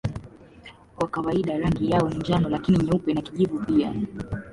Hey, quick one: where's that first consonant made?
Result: velum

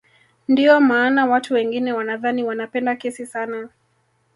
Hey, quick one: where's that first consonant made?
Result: tongue tip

